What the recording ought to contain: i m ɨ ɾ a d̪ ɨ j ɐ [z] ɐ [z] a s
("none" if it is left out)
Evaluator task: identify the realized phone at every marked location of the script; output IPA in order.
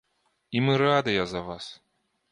z, v

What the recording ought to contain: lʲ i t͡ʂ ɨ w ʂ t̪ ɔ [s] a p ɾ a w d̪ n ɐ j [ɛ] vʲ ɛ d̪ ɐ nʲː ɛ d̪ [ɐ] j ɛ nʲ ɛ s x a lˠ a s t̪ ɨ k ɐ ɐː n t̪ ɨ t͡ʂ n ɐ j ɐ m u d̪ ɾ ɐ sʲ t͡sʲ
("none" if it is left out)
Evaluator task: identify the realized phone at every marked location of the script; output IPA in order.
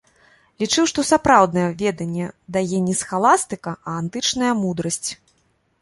s, ɛ, a

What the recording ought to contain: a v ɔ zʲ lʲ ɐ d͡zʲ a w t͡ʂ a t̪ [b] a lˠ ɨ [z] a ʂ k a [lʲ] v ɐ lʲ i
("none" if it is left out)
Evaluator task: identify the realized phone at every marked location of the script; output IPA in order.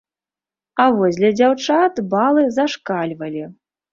b, z, lʲ

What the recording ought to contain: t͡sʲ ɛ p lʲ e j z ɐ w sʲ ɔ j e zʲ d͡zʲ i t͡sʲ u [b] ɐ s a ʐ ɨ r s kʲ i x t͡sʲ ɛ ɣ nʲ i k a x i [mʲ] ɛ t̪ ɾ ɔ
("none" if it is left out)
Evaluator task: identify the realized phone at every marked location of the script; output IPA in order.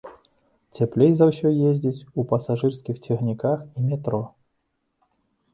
p, mʲ

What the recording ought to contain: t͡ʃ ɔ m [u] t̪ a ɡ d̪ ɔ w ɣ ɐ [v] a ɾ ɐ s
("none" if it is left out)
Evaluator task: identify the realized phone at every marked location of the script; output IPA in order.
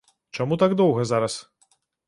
u, z

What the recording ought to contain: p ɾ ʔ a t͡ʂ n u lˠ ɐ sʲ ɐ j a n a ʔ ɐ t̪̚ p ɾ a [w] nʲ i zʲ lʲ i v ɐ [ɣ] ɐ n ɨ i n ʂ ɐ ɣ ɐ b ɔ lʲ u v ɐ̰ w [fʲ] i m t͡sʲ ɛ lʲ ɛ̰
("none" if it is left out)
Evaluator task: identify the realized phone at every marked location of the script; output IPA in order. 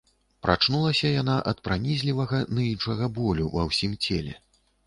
none, ɣ, sʲ

